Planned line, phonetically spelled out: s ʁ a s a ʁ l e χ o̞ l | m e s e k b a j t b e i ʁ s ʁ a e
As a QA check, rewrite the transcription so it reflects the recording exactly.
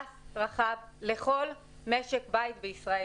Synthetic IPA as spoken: s ʁ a χ a v l e χ o̞ l | m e ʃ e k b a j t b e i s ʁ a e